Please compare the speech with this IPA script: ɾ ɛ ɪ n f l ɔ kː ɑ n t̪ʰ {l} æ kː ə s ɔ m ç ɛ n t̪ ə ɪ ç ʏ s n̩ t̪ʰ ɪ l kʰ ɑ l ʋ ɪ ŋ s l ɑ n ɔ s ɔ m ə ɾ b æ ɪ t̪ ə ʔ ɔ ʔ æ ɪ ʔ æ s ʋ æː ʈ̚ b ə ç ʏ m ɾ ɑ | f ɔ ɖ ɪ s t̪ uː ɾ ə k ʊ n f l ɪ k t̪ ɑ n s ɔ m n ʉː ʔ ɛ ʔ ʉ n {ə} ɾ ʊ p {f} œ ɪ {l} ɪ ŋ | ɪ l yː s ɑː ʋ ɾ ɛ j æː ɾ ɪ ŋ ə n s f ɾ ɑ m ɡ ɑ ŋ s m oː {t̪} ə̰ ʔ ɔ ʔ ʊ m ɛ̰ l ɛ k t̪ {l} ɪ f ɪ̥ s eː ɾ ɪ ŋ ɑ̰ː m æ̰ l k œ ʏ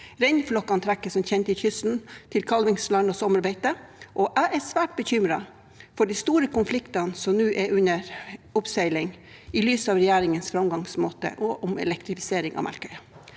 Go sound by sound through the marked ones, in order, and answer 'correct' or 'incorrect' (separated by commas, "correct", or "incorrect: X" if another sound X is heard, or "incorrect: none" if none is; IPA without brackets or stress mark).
incorrect: ɾ, correct, incorrect: s, correct, correct, incorrect: ɾ